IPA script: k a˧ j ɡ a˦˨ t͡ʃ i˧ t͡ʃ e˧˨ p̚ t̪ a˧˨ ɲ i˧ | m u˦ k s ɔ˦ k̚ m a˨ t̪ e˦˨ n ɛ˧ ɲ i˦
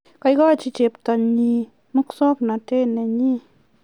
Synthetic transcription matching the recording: k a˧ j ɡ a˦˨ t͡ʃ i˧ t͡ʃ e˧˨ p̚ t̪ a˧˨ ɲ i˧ | m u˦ k s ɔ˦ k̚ n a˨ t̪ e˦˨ n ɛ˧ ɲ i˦